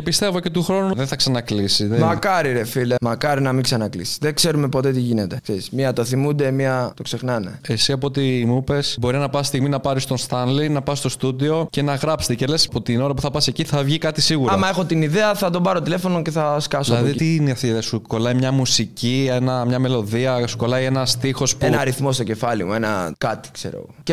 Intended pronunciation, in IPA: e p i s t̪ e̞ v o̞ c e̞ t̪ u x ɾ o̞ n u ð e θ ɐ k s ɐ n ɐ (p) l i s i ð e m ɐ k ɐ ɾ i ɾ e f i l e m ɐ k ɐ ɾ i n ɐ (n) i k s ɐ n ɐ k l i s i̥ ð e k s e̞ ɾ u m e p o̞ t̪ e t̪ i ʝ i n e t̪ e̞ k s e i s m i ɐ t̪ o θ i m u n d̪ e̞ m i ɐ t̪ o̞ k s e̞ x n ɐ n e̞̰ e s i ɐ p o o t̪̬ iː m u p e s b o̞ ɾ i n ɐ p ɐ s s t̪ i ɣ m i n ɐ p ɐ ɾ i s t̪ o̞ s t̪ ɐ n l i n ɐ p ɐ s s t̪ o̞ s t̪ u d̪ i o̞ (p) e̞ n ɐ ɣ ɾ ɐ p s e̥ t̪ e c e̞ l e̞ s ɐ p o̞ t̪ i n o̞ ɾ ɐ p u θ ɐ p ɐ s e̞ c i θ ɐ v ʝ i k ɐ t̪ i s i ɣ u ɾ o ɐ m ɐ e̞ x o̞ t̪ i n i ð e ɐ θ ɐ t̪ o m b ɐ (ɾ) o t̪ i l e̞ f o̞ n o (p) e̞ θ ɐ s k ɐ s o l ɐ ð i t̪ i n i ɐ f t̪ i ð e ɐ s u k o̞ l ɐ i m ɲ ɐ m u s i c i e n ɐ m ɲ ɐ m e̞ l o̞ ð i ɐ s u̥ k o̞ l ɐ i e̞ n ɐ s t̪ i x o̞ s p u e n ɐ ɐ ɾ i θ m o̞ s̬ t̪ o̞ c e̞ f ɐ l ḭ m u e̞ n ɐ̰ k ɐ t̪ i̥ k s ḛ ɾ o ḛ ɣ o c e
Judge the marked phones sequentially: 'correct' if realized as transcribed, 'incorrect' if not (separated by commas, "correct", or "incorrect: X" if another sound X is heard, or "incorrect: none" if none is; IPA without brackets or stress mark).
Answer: incorrect: k, incorrect: m, incorrect: c, correct, incorrect: c